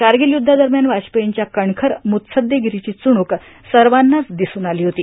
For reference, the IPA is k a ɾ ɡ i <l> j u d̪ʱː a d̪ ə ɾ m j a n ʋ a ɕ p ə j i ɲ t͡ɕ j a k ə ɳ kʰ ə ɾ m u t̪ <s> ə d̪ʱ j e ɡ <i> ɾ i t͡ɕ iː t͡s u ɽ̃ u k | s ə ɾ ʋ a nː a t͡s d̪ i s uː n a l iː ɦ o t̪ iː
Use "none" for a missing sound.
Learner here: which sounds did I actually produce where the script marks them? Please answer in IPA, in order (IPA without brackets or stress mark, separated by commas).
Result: l, s, i